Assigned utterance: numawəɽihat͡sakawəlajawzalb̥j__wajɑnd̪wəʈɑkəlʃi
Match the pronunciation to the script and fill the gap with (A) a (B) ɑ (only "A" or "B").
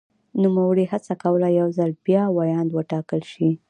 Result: B